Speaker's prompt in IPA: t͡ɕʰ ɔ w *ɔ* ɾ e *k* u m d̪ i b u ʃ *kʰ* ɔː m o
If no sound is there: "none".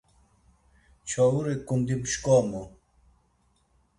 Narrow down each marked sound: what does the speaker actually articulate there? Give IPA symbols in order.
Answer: u, k, k

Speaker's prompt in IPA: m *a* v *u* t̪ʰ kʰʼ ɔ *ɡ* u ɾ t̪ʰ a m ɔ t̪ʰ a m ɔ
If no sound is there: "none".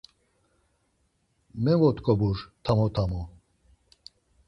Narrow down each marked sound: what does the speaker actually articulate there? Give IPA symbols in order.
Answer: ɛ, ɔ, b

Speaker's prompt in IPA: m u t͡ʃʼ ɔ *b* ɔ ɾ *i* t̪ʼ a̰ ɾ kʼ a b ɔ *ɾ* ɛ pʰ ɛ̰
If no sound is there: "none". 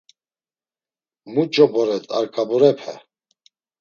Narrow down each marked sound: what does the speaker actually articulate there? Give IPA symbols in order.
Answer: b, ɛ, ɾ

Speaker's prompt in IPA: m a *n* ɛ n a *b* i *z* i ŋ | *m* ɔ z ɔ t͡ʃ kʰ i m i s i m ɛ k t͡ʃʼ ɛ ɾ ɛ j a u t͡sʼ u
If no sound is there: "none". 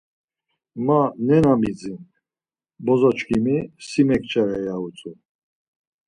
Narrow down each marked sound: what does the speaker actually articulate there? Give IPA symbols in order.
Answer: n, m, d͡z, b

